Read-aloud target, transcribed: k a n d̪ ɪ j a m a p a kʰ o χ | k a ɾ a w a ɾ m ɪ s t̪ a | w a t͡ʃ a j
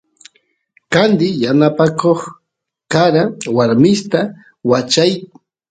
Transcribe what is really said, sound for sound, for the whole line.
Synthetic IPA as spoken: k a n d̪ ɪ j a n a p a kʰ o χ | k a ɾ a w a ɾ m ɪ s t̪ a | w a t͡ʃ a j